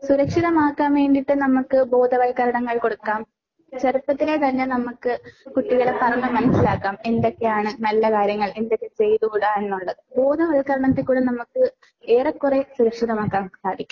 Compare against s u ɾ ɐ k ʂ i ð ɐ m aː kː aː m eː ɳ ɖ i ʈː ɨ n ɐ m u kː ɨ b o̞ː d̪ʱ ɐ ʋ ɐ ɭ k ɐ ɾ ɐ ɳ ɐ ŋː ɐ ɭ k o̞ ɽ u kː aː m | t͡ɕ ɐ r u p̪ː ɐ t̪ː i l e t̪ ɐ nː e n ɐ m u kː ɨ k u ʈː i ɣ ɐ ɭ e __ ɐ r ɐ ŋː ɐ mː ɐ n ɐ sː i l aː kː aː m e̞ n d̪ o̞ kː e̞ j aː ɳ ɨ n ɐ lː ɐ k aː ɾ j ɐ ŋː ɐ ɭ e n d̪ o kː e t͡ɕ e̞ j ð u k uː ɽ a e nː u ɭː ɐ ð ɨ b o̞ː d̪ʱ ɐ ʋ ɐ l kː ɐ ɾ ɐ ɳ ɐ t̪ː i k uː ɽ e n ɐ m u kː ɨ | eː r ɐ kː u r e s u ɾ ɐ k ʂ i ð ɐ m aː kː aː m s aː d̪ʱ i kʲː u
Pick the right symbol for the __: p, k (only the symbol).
p